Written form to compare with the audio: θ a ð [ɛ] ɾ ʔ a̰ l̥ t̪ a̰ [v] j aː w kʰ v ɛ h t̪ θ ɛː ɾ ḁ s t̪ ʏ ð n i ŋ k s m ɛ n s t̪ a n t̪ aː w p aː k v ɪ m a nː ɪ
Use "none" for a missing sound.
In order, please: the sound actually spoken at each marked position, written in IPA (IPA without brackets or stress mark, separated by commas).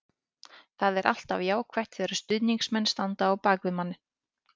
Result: ɛ, v